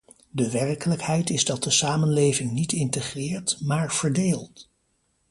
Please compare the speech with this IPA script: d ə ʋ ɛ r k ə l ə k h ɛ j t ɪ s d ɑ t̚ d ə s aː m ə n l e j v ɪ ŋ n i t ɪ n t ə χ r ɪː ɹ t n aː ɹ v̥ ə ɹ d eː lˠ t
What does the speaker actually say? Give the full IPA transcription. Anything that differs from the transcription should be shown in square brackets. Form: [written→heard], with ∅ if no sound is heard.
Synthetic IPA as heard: d ə ʋ ɛ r k ə l ə k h ɛ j t ɪ [s→z] d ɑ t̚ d ə s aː m ə n l e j v ɪ ŋ n i t ɪ n t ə χ r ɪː ɹ t [n→m] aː ɹ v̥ ə ɹ d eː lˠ t